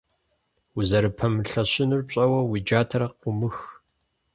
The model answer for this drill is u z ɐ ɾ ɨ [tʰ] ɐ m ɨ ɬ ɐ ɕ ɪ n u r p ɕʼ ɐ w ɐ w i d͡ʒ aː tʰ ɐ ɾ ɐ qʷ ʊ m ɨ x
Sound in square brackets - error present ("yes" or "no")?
yes